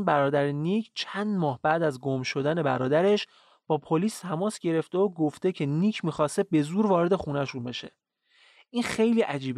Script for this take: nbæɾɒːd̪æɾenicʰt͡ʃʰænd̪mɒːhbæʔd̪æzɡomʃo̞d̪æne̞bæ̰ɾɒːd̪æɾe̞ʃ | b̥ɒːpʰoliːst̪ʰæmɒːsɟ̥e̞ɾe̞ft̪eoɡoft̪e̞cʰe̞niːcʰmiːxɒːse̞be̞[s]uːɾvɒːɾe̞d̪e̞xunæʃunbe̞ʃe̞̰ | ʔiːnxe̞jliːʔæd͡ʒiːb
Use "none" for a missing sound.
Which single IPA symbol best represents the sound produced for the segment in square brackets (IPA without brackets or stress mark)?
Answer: z